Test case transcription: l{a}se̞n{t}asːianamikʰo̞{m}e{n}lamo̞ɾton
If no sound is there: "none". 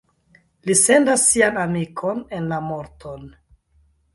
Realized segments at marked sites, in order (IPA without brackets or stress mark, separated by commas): i, d, n, n